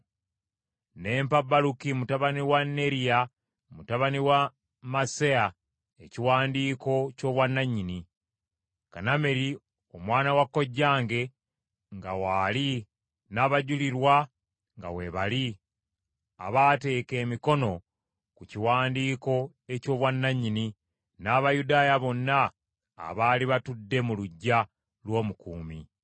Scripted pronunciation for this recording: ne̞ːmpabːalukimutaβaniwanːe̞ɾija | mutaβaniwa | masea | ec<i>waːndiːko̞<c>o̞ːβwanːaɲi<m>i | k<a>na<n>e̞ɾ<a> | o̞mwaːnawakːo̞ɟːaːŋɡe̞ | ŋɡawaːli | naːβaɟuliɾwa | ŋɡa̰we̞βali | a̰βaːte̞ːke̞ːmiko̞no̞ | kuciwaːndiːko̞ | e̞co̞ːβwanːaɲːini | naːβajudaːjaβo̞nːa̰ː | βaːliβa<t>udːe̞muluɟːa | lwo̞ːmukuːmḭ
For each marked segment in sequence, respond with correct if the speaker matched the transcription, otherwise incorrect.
correct, correct, incorrect, correct, incorrect, incorrect, correct

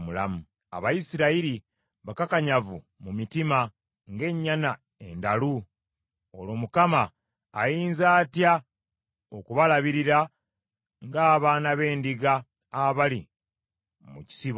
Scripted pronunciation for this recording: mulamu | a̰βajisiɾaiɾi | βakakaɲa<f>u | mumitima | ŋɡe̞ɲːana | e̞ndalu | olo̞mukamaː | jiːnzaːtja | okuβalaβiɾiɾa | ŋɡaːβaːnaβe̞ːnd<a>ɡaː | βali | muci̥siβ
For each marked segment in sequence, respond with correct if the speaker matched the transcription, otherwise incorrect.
incorrect, incorrect

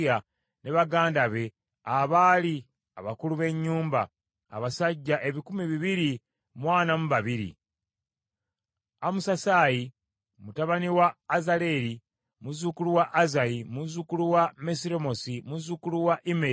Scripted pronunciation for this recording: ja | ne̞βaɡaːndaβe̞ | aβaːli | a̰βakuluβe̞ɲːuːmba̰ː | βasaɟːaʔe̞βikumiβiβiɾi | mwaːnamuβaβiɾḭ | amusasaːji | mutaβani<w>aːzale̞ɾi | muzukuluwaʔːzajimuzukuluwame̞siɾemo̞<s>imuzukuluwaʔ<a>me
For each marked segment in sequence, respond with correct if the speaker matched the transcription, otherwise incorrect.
correct, correct, incorrect

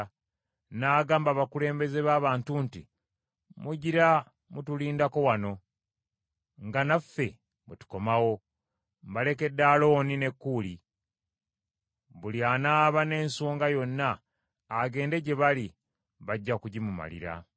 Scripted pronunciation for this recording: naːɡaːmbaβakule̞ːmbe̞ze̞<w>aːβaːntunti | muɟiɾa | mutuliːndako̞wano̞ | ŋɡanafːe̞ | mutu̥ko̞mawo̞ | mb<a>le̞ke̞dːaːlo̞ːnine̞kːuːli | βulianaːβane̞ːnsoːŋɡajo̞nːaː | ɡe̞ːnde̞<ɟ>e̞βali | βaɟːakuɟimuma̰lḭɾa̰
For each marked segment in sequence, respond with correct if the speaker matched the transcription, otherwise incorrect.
incorrect, correct, correct

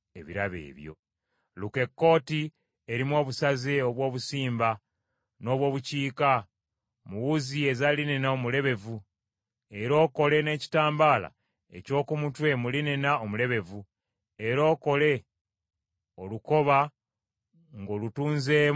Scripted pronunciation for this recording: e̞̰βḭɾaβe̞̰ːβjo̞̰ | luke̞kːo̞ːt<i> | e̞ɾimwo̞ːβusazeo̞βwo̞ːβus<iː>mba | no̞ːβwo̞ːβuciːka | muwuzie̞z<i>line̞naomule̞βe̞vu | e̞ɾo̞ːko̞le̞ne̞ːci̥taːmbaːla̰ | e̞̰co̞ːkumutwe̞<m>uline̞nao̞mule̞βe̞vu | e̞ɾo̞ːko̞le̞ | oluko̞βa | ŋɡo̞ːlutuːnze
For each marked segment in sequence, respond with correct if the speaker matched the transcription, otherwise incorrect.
correct, correct, incorrect, correct

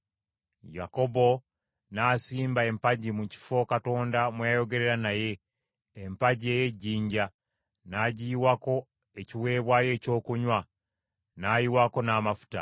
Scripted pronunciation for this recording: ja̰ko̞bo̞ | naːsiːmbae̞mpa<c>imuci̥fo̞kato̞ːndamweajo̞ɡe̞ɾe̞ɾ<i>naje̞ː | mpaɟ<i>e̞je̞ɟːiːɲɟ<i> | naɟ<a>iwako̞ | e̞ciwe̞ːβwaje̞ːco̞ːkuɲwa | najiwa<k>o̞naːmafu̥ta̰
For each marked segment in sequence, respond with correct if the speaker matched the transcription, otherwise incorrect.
incorrect, incorrect, correct, incorrect, incorrect, correct

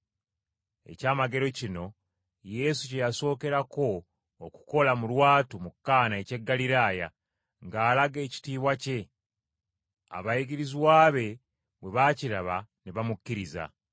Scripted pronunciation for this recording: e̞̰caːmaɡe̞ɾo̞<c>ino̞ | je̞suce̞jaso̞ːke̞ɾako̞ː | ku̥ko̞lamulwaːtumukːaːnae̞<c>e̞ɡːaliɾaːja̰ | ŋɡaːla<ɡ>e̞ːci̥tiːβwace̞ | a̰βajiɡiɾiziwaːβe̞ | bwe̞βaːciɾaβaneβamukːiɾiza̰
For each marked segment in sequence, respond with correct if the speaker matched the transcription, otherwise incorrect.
correct, correct, correct

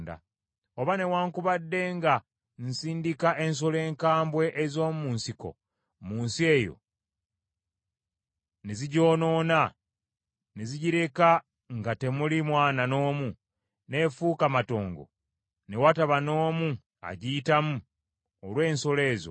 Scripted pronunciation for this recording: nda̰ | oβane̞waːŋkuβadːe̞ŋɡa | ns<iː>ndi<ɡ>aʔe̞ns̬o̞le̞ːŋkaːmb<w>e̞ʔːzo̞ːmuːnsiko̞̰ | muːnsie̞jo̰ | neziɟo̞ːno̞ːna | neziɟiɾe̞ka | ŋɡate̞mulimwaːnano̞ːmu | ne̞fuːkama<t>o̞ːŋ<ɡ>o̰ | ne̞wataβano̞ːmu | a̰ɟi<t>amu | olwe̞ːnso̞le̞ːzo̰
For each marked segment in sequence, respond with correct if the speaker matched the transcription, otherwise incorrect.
correct, incorrect, correct, correct, correct, correct

